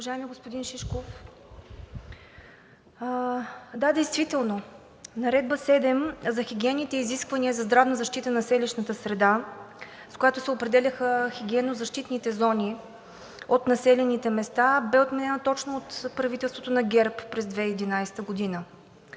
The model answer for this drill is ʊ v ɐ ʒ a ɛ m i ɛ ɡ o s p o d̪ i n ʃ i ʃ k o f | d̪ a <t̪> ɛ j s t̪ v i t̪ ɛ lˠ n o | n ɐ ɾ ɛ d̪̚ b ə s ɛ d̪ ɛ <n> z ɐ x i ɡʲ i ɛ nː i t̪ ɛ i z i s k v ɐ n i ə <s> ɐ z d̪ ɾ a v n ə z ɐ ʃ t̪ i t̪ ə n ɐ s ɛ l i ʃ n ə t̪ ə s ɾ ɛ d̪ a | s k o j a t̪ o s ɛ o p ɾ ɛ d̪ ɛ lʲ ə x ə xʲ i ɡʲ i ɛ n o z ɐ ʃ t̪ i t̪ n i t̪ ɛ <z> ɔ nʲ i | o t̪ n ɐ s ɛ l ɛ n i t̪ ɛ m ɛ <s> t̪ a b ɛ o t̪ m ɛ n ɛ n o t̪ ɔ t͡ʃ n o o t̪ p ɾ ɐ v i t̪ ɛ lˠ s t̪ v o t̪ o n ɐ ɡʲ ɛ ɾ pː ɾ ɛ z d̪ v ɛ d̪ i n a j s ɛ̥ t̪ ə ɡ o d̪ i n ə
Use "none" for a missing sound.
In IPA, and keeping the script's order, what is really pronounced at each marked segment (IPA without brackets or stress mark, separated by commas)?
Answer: d̪, m, z, z, s